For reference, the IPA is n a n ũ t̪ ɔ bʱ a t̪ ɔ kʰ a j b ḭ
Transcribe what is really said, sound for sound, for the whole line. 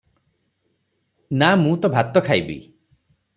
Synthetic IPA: n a m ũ t̪ ɔ bʱ a t̪ ɔ kʰ a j b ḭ